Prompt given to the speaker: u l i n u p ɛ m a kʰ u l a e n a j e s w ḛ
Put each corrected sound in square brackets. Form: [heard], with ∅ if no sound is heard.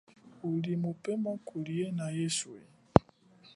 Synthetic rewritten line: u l i [m] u p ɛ m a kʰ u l [i] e n a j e s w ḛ